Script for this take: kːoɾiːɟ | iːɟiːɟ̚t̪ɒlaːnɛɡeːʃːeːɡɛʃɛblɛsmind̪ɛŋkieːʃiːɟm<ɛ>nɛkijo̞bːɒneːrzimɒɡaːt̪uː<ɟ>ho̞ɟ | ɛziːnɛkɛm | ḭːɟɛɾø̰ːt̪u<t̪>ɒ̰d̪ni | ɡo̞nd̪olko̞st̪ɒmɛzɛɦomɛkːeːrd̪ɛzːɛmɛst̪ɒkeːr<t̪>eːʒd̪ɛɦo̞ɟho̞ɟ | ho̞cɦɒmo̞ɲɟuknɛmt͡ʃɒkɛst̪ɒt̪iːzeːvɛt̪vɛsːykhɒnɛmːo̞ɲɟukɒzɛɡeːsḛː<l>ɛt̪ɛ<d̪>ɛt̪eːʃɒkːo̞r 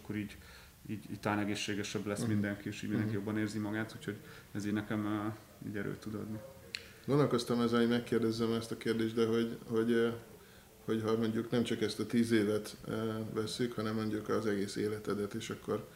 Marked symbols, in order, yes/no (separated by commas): no, no, no, no, yes, yes